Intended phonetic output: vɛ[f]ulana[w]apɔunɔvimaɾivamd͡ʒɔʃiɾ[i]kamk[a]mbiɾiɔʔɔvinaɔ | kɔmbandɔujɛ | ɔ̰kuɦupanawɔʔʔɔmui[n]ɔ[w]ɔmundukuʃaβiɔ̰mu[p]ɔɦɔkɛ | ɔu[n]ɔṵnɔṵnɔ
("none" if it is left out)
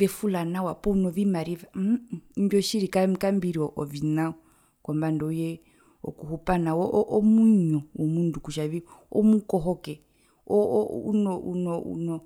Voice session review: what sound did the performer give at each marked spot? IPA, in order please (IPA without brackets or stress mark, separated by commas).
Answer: f, w, i, a, ɲ, w, k, n